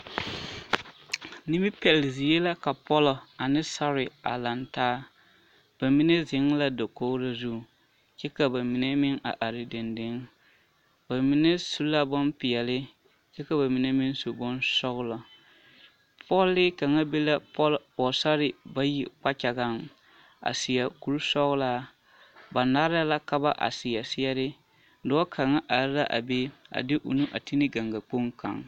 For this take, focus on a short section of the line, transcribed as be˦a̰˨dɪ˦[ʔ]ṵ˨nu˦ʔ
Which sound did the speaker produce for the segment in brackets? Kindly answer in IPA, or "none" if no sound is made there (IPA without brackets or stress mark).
ʔ